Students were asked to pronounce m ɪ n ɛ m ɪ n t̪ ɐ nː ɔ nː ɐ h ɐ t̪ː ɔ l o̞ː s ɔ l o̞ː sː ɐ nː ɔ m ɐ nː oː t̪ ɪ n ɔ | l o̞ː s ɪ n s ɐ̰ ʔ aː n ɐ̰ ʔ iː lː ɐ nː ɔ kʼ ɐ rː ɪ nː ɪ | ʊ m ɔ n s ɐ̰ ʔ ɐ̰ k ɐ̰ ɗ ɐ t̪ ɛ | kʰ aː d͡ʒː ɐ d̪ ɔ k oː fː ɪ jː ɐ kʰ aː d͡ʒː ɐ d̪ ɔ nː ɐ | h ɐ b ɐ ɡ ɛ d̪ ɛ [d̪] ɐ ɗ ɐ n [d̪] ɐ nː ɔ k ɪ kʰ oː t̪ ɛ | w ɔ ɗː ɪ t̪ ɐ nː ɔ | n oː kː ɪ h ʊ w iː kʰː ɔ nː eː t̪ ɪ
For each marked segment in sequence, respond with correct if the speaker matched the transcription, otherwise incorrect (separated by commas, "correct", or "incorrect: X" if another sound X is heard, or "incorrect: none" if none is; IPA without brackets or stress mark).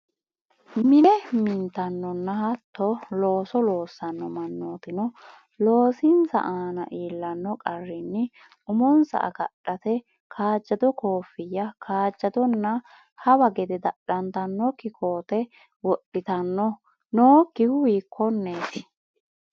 correct, incorrect: t̪